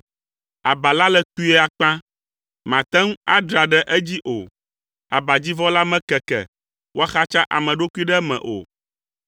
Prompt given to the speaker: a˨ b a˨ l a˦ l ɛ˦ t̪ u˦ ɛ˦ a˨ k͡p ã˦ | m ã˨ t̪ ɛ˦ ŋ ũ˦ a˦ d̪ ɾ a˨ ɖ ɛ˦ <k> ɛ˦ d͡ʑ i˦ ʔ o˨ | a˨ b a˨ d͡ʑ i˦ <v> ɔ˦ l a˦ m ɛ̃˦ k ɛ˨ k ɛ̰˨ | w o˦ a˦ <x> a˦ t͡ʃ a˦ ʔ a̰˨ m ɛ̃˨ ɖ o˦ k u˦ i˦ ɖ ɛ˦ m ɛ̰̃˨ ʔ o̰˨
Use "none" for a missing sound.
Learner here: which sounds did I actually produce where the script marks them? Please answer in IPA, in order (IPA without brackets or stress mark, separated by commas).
ʔ, v, x